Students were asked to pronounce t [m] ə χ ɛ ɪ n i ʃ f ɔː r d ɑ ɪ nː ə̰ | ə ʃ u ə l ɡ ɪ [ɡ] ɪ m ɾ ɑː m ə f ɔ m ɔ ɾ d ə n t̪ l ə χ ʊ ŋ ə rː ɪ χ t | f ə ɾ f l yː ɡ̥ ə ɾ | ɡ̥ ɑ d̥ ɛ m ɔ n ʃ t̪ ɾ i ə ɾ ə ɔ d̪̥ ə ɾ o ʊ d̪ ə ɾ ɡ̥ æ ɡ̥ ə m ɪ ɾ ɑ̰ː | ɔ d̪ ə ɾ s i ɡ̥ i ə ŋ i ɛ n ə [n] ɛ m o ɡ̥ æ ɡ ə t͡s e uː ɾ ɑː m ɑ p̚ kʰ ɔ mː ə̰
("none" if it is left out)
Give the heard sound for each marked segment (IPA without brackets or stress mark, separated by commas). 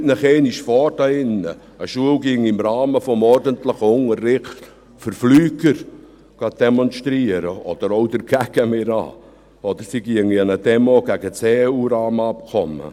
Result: n, ŋ, d